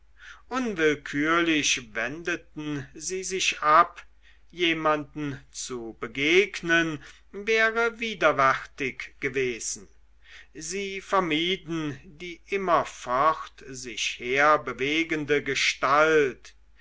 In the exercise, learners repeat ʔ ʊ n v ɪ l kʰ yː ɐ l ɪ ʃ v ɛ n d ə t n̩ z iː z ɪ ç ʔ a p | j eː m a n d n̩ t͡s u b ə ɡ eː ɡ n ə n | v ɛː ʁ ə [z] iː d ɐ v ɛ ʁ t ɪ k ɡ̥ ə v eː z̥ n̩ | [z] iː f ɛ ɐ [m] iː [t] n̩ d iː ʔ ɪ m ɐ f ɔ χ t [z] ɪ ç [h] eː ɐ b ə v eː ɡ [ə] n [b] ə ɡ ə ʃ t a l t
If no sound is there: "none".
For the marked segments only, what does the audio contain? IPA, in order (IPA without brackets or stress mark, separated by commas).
v, z, m, d, z, h, ə, d